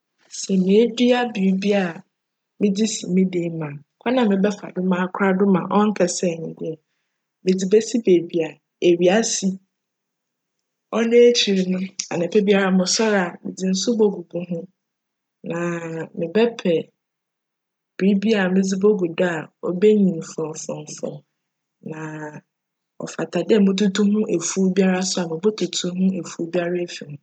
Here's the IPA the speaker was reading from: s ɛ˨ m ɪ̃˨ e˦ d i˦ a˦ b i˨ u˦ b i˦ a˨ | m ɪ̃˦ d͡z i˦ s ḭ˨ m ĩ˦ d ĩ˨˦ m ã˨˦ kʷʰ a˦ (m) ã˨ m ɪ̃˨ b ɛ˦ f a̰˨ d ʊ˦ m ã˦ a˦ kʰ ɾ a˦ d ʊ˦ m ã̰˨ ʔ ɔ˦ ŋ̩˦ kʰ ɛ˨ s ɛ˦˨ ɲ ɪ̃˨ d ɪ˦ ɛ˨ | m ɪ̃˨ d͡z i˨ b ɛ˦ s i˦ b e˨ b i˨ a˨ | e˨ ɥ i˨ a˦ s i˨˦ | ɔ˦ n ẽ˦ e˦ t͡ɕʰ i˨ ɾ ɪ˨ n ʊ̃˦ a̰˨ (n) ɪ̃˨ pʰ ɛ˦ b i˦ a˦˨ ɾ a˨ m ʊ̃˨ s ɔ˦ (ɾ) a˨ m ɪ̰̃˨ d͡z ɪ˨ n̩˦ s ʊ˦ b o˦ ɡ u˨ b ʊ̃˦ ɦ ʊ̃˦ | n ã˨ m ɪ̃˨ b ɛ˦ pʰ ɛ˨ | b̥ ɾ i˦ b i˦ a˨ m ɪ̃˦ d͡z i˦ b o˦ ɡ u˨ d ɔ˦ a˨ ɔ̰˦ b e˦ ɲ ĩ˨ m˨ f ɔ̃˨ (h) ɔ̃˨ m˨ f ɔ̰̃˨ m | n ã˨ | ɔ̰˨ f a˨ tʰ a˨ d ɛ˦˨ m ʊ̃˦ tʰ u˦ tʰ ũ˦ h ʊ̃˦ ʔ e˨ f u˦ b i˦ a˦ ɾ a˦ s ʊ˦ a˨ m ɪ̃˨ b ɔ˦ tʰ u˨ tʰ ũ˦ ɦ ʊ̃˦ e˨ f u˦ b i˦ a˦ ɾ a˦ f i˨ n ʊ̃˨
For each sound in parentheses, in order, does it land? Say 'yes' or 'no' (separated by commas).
no, yes, yes, no